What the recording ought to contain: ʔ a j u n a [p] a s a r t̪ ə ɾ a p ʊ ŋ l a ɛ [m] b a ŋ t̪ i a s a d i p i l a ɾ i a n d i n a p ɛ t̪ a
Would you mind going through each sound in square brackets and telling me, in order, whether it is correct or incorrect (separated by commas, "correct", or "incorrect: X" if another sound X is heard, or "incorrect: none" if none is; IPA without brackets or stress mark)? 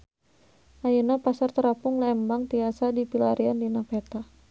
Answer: correct, correct